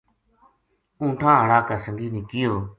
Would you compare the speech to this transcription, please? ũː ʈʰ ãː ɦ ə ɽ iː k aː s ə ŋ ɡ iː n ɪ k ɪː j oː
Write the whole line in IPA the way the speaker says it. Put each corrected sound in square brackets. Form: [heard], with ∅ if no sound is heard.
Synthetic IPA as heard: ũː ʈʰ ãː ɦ ə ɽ [aː] k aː s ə ŋ ɡ iː n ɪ k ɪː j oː